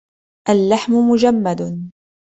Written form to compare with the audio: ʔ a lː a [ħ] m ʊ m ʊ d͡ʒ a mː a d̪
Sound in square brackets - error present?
no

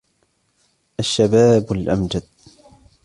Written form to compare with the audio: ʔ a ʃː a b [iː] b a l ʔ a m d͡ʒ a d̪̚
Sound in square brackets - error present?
yes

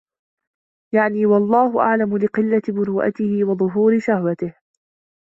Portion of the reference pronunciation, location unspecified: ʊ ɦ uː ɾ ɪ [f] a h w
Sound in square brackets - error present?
yes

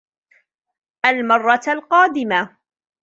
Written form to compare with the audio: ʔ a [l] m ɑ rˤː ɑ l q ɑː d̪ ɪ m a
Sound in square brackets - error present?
no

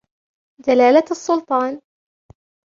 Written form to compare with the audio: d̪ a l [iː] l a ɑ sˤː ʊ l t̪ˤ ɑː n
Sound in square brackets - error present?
yes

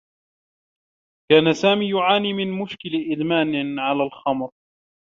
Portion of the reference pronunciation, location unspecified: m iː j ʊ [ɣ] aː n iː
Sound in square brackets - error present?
yes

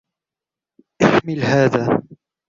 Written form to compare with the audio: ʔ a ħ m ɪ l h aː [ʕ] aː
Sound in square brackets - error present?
yes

